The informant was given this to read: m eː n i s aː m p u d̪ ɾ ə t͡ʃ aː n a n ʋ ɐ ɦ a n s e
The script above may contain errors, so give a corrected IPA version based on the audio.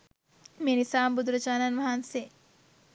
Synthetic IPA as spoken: m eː n i s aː m b u d̪ ɾ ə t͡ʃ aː n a n ʋ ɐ ɦ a n s e